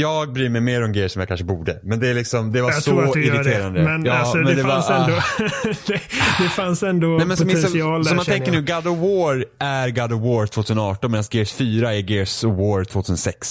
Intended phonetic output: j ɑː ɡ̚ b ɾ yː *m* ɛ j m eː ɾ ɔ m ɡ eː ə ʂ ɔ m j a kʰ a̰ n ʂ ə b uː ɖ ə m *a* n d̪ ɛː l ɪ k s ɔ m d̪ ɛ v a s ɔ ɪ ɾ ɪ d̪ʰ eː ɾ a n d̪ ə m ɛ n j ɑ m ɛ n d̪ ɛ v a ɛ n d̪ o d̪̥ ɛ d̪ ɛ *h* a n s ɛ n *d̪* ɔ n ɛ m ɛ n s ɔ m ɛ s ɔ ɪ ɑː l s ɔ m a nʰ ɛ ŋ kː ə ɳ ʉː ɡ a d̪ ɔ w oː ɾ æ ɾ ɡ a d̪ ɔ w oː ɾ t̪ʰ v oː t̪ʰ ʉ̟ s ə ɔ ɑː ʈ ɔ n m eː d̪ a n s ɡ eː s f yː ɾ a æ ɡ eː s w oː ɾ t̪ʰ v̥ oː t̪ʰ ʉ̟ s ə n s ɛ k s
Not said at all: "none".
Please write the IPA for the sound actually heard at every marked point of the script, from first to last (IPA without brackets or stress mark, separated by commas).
m, ɛ, f, d̪